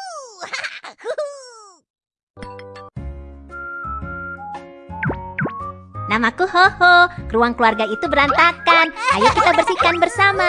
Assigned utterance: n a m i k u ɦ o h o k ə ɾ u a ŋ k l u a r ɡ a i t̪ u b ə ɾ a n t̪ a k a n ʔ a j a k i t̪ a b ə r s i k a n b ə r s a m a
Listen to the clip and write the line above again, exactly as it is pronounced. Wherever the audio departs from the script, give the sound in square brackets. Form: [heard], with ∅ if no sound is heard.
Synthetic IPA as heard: n a m [a] k u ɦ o h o k ə ɾ u a ŋ k l u a r ɡ a i t̪ u b ə ɾ a n t̪ a k a n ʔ a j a k i t̪ a b ə r s i k a n b ə r s a m a